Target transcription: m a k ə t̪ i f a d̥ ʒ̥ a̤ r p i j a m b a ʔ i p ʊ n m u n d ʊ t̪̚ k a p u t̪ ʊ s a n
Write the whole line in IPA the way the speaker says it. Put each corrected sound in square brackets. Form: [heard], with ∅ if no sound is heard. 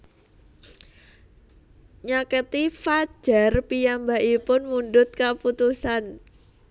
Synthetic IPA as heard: [ɲ] a k ə t̪ i f a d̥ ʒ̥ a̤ r p i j a m b a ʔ i p ʊ n m u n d ʊ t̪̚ k a p u t̪ [u] s a n